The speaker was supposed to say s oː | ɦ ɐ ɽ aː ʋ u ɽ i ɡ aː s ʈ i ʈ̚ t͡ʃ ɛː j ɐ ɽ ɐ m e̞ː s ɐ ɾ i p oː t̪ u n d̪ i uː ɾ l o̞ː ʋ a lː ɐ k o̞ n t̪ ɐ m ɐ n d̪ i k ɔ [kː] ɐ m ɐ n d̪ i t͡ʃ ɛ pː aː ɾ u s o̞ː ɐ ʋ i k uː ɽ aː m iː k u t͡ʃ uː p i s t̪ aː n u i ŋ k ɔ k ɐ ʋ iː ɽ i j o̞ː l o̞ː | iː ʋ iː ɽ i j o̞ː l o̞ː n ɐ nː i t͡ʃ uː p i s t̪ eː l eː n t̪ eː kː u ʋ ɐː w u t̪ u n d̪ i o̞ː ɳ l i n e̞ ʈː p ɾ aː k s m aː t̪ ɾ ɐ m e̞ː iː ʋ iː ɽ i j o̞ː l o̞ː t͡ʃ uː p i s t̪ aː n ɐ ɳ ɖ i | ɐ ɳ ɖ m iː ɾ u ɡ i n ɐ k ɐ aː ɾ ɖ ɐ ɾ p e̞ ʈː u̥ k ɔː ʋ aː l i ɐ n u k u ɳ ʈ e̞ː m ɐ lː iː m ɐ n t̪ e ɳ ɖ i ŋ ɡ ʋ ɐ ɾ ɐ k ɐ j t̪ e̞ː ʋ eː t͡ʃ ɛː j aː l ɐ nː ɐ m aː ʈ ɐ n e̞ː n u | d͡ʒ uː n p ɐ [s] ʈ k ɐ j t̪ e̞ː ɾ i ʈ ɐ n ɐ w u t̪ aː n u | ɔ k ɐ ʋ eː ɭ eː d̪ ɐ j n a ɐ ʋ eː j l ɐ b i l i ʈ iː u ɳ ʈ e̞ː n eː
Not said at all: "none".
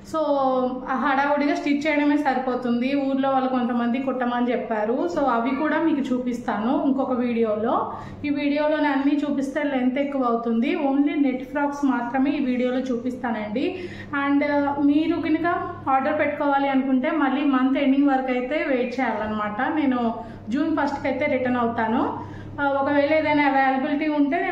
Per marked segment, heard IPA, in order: ʈː, s

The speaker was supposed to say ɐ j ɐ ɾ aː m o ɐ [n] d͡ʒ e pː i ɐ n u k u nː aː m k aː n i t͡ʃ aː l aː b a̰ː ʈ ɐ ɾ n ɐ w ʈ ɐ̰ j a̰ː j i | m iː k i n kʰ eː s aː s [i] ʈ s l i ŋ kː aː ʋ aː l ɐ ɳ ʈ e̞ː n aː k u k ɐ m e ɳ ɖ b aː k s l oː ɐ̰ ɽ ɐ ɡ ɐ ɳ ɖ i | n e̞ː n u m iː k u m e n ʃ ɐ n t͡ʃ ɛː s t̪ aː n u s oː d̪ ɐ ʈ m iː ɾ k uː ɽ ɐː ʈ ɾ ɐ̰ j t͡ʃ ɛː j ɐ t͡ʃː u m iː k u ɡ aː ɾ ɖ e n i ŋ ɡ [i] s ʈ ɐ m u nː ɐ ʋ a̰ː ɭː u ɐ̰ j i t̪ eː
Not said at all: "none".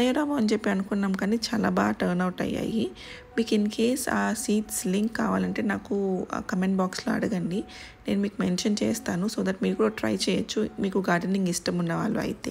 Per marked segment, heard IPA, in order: n, iː, i

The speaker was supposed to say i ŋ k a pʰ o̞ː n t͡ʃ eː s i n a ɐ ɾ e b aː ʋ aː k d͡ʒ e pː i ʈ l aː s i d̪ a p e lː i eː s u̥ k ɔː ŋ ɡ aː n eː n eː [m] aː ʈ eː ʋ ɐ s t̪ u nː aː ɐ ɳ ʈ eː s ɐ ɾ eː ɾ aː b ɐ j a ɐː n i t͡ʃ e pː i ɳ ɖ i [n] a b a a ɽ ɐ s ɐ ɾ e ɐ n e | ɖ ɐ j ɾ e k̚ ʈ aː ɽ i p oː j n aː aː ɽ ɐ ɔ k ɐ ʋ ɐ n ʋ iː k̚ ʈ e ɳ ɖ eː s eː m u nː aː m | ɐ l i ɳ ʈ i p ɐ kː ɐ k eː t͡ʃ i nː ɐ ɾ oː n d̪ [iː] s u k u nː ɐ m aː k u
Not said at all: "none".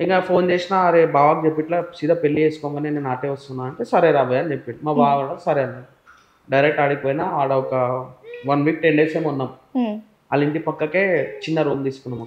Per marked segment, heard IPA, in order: n, m, iː

